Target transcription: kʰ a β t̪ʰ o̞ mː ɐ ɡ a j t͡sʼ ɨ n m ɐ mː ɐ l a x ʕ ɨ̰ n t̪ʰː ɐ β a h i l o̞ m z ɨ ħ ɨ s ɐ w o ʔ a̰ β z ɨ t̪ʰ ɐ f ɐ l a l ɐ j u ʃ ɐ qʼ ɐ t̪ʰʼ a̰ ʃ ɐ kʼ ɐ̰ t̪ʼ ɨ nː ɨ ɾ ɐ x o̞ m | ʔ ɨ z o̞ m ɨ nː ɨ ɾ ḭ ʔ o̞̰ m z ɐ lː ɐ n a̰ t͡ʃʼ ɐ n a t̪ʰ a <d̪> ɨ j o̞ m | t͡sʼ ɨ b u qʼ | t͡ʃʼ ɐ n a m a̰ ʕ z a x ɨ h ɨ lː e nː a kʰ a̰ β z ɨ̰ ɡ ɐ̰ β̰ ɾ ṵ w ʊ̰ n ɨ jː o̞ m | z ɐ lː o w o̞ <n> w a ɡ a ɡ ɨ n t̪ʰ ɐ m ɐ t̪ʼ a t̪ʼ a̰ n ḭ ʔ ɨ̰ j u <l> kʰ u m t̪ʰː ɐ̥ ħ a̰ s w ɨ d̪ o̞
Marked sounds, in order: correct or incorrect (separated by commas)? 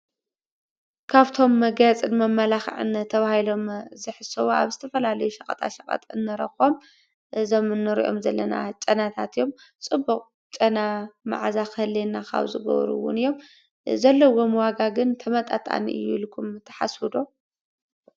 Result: incorrect, incorrect, correct